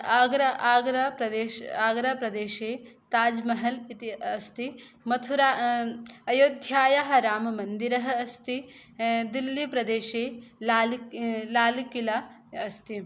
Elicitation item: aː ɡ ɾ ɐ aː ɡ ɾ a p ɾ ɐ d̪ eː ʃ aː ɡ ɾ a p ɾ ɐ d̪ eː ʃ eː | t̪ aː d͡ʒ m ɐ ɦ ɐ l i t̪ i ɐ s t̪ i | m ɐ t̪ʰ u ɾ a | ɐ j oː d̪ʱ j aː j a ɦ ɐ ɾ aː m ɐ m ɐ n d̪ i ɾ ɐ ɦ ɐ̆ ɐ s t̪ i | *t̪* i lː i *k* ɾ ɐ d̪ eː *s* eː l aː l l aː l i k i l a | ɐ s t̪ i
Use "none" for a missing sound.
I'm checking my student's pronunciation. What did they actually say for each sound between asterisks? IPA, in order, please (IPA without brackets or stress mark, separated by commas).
d̪, p, ʃ